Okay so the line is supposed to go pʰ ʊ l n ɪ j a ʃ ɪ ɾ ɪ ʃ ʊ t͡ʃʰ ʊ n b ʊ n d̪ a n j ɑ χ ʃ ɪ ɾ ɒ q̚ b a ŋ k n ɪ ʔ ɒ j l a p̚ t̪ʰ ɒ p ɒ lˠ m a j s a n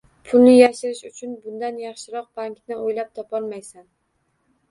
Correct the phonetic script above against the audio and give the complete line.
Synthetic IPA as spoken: pʰ ʊ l n ɪ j a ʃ ɪ ɾ ɪ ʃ ʊ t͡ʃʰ ʊ n b ʊ n d̪ a n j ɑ χ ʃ ɪ ɾ ɒ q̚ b a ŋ k n ɪ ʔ o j l a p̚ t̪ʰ ɒ p ɒ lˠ m a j s a n